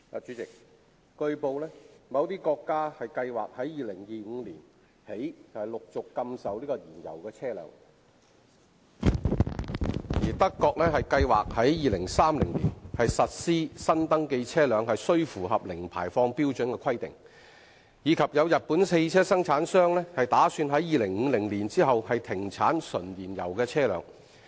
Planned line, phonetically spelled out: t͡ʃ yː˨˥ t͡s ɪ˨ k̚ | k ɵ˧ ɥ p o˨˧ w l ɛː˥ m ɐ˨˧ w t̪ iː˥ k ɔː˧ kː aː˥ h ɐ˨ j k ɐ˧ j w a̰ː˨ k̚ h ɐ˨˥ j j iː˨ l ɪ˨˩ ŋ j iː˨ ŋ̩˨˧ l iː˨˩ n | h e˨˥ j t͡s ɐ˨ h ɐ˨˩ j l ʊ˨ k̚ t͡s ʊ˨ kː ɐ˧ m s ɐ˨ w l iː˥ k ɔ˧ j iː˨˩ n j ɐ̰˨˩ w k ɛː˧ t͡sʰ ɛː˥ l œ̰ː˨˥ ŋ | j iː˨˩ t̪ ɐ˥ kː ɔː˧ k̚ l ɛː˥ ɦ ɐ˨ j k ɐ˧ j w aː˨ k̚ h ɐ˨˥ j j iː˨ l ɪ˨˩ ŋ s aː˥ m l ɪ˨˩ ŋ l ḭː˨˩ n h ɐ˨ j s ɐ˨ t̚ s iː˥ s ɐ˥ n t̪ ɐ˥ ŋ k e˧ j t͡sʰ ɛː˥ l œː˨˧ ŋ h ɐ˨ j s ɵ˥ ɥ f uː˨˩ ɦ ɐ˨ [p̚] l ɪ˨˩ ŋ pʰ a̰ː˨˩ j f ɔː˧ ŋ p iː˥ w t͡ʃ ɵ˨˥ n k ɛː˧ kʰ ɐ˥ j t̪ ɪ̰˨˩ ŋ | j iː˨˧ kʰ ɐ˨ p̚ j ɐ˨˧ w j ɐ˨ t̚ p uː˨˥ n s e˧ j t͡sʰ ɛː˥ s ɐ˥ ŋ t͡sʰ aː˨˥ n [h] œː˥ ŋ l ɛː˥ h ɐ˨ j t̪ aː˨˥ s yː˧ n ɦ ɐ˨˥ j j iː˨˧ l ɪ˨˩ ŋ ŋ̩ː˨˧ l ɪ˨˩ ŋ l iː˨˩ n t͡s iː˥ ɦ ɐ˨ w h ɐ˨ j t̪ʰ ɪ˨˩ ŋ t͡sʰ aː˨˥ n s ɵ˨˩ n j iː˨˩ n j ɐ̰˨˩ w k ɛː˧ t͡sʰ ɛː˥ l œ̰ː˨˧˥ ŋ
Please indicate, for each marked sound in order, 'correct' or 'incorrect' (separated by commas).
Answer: correct, incorrect